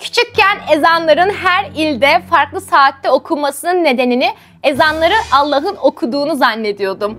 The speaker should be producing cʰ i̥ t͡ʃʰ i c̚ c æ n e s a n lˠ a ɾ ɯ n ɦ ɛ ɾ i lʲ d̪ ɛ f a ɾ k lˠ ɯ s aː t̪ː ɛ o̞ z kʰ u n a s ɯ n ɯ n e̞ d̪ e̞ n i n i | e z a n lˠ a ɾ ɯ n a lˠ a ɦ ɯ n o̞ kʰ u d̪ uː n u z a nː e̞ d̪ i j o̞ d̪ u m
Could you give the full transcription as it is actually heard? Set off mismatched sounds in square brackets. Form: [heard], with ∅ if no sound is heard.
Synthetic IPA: cʰ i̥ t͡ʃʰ i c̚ c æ n e [z] a n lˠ a ɾ ɯ n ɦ [æ] ɾ i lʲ d̪ ɛ f a ɾ k lˠ ɯ s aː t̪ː ɛ o̞ [∅] kʰ u [m] a s ɯ n ɯ [nː] e̞ d̪ e̞ n i n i | e z a n lˠ a ɾ ɯ n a [lˠː] a ɦ ɯ n o̞ kʰ u d̪ uː n u z a nː e̞ d̪ i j o̞ d̪ u m